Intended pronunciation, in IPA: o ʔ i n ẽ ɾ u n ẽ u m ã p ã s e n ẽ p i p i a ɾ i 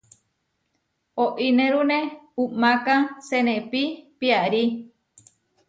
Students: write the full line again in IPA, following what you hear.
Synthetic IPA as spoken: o ʔ i n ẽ ɾ u n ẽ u m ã k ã s e n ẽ p i p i a ɾ i